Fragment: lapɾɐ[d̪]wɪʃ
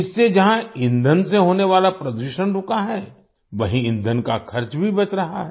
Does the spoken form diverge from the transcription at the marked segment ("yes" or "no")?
no